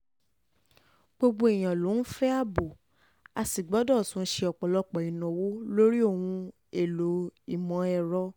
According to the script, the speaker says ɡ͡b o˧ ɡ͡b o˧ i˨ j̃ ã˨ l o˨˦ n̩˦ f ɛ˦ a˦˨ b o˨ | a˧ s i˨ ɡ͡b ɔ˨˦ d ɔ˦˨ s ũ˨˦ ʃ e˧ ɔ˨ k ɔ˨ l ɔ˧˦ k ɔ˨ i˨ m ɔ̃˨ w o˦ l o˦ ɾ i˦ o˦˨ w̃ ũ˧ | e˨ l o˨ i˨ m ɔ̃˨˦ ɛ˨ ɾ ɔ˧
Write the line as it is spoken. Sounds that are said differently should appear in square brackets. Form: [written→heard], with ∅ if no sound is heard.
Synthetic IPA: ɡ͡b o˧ ɡ͡b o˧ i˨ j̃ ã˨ l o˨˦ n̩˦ f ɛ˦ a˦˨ b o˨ | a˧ s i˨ ɡ͡b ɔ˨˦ d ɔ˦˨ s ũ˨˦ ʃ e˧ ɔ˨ [k→k͡p] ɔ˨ l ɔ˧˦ [k→k͡p] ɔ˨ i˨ [m→n] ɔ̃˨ w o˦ l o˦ ɾ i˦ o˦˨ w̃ ũ˧ | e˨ l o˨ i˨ m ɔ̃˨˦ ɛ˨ ɾ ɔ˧